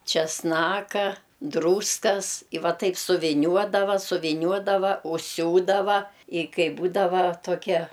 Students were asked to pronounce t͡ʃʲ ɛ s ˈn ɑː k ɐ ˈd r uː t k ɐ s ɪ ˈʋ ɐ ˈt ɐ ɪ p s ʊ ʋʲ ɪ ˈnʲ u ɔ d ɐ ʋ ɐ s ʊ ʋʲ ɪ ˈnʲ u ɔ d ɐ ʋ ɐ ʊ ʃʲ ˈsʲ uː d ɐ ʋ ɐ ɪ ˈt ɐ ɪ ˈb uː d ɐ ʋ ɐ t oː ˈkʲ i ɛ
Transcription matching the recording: t͡ʃʲ ɛ s ˈn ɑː k ɐ ˈd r uː s k ɐ s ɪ ˈʋ ɐ ˈt ɐ ɪ p s ʊ ʋʲ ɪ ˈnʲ u ɔ d ɐ ʋ ɐ s ʊ ʋʲ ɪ ˈnʲ u ɔ d ɐ ʋ ɐ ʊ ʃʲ ˈsʲ uː d ɐ ʋ ɐ ɪ ˈk ɐ ɪ ˈb uː d ɐ ʋ ɐ t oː ˈkʲ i ɛ